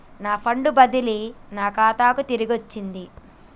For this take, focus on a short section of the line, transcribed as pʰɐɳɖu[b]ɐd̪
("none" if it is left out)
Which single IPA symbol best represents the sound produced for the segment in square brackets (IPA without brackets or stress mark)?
b